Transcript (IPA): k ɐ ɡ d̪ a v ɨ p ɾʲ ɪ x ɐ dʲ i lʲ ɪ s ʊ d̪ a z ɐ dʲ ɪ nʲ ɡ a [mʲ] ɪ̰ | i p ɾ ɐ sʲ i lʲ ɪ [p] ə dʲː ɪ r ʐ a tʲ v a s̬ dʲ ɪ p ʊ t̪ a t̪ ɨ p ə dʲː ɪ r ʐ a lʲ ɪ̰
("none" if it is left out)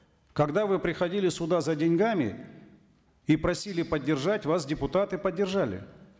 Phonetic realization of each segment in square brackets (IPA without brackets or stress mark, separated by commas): mʲ, p